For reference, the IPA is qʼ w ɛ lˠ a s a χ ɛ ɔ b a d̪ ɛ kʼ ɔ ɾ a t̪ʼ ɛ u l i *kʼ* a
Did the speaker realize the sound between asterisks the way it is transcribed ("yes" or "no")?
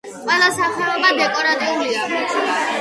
no